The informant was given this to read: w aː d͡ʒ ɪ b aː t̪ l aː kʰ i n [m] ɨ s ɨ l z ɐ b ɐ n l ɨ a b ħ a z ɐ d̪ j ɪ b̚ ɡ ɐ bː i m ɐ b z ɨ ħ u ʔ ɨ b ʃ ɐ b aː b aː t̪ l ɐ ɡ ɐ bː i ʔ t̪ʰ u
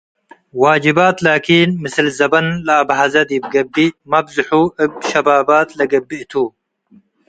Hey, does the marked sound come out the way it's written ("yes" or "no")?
yes